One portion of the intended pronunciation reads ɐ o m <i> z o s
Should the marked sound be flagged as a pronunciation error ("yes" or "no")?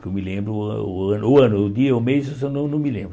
yes